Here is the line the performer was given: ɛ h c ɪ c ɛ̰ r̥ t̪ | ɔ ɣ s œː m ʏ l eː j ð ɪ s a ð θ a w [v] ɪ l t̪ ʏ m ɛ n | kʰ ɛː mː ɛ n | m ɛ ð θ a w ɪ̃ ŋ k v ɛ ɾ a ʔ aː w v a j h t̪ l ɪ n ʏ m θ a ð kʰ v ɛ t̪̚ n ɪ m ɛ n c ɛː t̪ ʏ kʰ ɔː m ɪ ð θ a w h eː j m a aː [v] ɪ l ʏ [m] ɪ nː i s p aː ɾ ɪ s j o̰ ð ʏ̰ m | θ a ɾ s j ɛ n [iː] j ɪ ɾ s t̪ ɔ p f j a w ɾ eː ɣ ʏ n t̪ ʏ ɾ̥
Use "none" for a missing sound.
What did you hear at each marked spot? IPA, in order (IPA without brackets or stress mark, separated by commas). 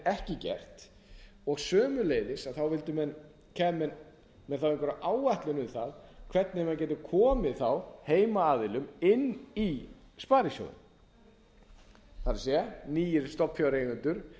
v, ð, m, iː